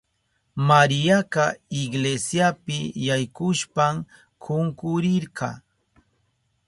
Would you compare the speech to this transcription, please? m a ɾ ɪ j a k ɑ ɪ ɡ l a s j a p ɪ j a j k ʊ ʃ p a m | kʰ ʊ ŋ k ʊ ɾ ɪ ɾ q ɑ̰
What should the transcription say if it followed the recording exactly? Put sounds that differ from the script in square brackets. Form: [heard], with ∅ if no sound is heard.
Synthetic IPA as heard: m a ɾ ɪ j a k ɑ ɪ ɡ l [e] s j a p ɪ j a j k ʊ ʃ p a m | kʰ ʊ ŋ k ʊ ɾ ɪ ɾ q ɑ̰